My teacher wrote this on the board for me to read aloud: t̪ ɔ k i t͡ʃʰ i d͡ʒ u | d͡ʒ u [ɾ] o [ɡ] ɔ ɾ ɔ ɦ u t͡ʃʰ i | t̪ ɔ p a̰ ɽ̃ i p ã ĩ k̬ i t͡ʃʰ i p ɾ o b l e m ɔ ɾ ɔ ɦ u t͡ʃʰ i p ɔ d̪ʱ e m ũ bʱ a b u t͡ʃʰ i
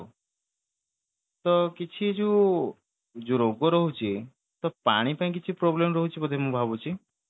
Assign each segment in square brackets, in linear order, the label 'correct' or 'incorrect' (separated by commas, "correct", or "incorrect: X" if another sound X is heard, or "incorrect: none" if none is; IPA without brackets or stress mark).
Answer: correct, correct